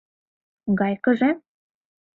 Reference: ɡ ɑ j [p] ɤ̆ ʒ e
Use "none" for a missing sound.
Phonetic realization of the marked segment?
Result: k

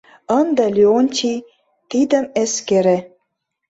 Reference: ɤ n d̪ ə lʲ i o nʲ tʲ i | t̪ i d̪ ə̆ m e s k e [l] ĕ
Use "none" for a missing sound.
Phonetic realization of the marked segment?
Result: ɾ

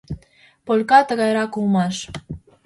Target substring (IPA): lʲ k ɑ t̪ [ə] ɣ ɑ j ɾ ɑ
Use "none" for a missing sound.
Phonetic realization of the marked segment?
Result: ə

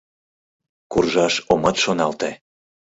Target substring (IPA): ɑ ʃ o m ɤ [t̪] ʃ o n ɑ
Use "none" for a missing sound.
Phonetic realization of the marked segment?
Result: t̪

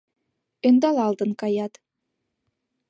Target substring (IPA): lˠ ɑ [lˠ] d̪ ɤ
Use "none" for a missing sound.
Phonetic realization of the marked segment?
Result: lˠ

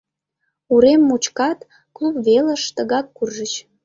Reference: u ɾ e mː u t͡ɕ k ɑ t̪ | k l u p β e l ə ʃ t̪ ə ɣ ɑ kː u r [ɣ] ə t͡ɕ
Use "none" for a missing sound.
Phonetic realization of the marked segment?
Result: ʒ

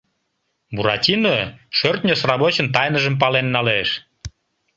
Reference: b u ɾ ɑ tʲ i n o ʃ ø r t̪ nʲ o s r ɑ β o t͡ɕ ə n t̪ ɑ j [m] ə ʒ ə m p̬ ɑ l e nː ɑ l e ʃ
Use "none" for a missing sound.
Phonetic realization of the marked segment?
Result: n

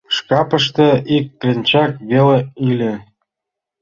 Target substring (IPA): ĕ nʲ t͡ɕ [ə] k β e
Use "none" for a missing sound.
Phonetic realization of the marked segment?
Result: ɑ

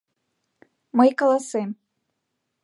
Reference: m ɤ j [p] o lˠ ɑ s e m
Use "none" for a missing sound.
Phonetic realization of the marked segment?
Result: k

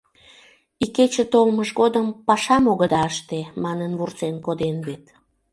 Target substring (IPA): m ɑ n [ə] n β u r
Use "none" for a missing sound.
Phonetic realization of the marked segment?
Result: ə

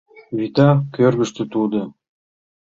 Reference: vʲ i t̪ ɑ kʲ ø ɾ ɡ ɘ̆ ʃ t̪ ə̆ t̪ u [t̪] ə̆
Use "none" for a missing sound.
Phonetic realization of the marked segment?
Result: d̪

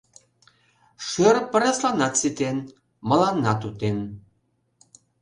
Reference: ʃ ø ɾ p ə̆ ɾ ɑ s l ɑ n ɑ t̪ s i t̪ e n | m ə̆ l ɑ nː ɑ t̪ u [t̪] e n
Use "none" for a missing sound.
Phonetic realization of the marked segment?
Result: t̪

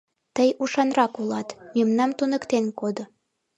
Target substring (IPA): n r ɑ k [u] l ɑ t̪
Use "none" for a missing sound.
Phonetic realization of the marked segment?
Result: u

